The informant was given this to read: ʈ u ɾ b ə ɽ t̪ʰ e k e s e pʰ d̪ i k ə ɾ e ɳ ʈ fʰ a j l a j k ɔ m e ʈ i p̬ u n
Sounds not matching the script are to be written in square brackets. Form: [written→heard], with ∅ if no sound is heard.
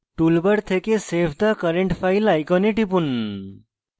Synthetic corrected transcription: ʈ u [ɾ→l] b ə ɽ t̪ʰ e k e s e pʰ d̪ [i→a] k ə ɾ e ɳ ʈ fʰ a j l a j k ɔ [m→n] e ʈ i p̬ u n

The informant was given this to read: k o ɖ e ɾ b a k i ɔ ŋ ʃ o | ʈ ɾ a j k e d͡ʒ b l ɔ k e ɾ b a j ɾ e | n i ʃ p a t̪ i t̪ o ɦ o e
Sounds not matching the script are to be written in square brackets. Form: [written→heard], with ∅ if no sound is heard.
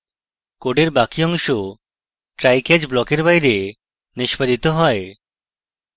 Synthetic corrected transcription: k o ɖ e ɾ b a k i ɔ ŋ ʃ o | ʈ ɾ a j k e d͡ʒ b l ɔ k e ɾ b a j ɾ e | n i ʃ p a [t̪→d̪] i t̪ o ɦ [o→ɔ] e

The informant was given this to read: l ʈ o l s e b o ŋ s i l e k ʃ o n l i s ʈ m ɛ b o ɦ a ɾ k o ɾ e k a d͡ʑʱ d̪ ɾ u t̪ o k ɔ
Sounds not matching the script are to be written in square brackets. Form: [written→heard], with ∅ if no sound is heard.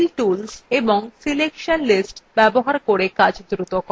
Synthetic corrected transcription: l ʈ [o→u] l s e b o ŋ s i l e k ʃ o n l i s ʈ [m→b] ɛ b o ɦ a ɾ k o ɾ e k a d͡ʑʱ d̪ ɾ u t̪ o k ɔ

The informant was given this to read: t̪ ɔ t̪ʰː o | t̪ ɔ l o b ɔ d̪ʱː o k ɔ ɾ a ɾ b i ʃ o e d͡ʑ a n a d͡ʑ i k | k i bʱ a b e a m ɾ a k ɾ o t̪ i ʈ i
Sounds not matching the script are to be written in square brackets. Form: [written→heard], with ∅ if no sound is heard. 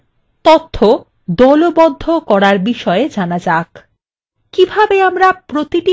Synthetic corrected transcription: t̪ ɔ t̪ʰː o | [t̪→d̪] ɔ l o b ɔ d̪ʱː o k ɔ ɾ a ɾ b i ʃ [o→ɔ] e d͡ʑ a n a d͡ʑ [i→a] k | k i bʱ a b e a m ɾ a [k→p] ɾ o t̪ i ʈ i

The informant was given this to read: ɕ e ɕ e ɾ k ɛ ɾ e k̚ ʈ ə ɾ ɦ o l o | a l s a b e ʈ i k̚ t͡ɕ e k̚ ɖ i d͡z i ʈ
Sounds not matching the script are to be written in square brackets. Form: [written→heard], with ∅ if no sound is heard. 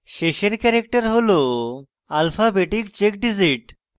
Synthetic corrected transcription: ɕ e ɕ e ɾ k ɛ ɾ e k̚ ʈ ə ɾ ɦ o l o | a l [s→f] a b e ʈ i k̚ t͡ɕ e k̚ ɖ i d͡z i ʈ

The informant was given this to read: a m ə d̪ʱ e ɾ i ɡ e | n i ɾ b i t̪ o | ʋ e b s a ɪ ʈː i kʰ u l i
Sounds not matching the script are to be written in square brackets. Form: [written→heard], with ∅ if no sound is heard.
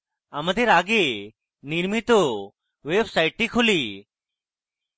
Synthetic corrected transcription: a m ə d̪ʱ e ɾ [i→a] ɡ e | n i ɾ [b→m] i t̪ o | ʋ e b s a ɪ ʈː i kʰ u l i

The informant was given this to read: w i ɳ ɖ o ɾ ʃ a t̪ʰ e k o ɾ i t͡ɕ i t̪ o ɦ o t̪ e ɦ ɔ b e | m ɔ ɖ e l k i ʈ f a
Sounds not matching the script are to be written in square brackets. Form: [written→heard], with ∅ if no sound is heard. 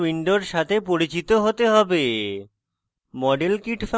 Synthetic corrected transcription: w i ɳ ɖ o ɾ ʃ a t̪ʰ e [k→p] o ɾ i t͡ɕ i t̪ o ɦ o t̪ e ɦ ɔ b e | m ɔ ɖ e l k i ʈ f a

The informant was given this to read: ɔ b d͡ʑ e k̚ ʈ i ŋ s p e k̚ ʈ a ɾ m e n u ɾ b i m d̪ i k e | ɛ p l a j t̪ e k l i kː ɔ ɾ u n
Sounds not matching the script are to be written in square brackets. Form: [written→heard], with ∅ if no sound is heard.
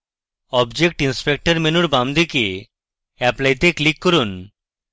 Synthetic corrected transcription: ɔ b d͡ʑ e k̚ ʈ i [ŋ→n] s p e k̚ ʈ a ɾ m e n u ɾ b [i→a] m d̪ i k e | ɛ p l a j t̪ e k l i kː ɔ ɾ u n

